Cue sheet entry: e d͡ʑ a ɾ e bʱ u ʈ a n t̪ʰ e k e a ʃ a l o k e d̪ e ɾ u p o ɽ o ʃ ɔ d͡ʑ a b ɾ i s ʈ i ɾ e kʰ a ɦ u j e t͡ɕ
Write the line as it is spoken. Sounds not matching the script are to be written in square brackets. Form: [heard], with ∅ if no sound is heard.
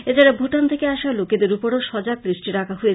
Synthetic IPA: e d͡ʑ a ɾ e bʱ u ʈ a n t̪ʰ e k e a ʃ a l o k e d̪ e ɾ u p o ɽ o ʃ ɔ d͡ʑ a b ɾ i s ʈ i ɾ [a] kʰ a ɦ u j e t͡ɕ

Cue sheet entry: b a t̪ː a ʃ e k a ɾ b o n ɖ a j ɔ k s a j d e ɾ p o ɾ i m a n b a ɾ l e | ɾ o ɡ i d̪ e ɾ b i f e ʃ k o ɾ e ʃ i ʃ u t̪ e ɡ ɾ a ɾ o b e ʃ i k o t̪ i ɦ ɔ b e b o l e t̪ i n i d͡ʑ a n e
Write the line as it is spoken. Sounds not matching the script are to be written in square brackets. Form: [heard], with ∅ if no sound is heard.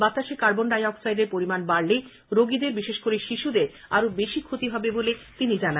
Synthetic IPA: b a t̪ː a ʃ e k a ɾ b o n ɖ a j ɔ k s a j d e ɾ p o ɾ i m a n b a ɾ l e | ɾ o ɡ i d̪ e ɾ b i [ʃ] e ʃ k o ɾ e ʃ i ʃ u [d̪] e [∅] ɾ a ɾ o b e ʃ i [kʰ] o t̪ i ɦ ɔ b e b o l e t̪ i n i d͡ʑ a n [a]

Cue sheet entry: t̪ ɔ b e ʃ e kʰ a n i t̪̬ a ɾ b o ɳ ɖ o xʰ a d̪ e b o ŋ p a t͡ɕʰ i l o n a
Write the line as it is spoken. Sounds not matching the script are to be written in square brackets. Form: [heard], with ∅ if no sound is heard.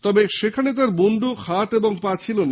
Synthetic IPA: t̪ ɔ b e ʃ e kʰ a n [e] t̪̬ a ɾ b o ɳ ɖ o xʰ a [t̪] e b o ŋ p a t͡ɕʰ i l o n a

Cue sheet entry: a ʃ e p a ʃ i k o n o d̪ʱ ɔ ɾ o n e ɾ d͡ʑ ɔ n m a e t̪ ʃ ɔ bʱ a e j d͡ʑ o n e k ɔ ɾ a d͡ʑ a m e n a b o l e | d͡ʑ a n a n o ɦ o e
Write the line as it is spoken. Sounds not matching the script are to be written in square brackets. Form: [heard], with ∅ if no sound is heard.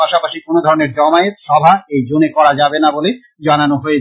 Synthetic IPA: a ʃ [a] p a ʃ i k o n o d̪ʱ ɔ ɾ o n e ɾ d͡ʑ ɔ [∅] m a e t̪ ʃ ɔ bʱ a e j d͡ʑ o n e k ɔ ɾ a d͡ʑ a [b] e n a b o l e | d͡ʑ a n a n o ɦ o e

